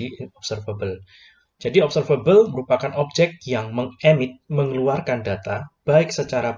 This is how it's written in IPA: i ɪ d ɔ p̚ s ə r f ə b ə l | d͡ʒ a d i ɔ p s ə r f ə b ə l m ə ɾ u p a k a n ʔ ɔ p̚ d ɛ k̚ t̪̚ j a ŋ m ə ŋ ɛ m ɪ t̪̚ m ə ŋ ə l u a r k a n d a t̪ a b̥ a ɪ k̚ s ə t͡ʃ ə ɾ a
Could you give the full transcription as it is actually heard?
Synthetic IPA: i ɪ n ɔ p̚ s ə r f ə b ə l | d͡ʒ a d i ɔ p s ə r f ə b ə l m ə ɾ u p a k a n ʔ ɔ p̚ d͡ʒ ɛ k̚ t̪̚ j a ŋ m ə ŋ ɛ m ɪ t̪̚ m ə ŋ ə l u a r k a n d a t̪ a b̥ a ɪ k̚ s ə t͡ʃ a ɾ a